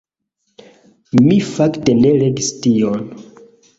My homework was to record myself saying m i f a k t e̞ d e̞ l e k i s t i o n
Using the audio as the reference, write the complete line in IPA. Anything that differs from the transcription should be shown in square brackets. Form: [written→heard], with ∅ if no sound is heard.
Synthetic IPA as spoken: m i f a k t e̞ [d→n] e̞ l e [k→ɡ] i s t i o n